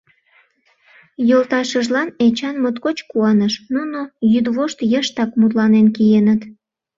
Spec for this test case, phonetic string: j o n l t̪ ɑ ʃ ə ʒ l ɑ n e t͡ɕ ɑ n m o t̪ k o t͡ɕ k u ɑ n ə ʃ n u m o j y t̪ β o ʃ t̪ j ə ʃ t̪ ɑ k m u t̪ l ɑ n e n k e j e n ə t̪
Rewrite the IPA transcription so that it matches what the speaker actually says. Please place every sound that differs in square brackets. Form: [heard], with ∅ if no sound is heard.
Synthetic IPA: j o [∅] l t̪ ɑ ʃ ə ʒ l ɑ n e t͡ɕ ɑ n m o t̪ k o t͡ɕ k u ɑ n ə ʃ n u [n] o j y [d̪] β o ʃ t̪ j ə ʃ t̪ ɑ k m u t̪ l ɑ n e n k [i] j e n ə t̪